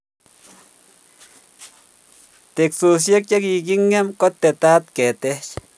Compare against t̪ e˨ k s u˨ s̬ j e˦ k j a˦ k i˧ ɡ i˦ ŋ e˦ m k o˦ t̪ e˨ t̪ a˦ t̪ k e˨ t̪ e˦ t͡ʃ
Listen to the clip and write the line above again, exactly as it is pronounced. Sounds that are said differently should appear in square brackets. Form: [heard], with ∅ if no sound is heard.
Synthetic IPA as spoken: t̪ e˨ k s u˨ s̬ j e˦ k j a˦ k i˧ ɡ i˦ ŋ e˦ m k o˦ t̪ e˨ t̪ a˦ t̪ k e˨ t̪ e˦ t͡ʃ